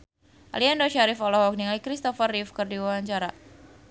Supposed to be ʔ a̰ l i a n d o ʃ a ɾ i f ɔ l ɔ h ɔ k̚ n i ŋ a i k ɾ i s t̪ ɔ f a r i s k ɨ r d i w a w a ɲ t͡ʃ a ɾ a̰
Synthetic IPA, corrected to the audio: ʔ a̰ l i a n d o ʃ a ɾ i f ɔ l ɔ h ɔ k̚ n i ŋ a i k ɾ i s t̪ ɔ f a r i f k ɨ r d i w a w a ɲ t͡ʃ a ɾ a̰